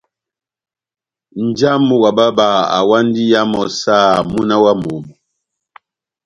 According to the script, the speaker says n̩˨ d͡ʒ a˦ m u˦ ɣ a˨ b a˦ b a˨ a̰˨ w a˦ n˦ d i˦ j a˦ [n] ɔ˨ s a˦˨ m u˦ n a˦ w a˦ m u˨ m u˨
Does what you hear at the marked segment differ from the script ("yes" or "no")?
yes